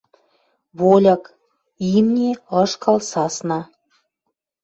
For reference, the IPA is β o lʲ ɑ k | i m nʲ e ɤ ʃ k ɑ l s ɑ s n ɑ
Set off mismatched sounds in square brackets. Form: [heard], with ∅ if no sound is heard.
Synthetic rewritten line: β o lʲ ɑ k | i m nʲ e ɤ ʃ k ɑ l s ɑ s n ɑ